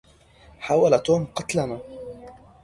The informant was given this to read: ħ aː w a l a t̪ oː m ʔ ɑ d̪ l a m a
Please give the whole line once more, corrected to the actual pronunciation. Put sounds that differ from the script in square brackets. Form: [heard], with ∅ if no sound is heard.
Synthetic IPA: ħ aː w a l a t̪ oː m [q] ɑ [t̪] l a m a